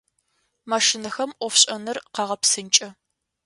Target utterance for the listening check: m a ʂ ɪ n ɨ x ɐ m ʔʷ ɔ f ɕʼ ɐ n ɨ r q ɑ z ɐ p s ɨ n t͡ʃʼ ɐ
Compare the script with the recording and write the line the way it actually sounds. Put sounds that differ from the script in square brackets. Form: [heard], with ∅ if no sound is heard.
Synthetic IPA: m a ʂ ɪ n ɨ x ɐ m ʔʷ ɔ f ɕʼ ɐ n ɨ r q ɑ [ʁ] ɐ p s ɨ n t͡ʃʼ ɐ